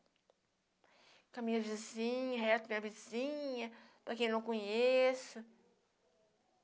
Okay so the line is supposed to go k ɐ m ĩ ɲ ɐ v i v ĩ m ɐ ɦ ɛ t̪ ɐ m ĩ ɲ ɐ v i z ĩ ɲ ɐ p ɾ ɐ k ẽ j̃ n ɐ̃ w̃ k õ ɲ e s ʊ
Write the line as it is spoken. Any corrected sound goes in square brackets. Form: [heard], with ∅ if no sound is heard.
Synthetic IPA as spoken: k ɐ m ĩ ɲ ɐ v i [z] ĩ [ɲ] ɐ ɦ ɛ t̪ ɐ m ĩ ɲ ɐ v i z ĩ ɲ ɐ p ɾ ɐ k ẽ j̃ n ɐ̃ w̃ k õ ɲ e s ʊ